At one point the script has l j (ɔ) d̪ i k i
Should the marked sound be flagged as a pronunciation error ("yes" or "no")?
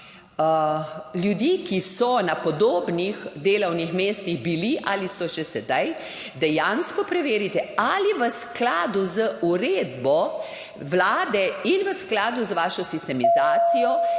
yes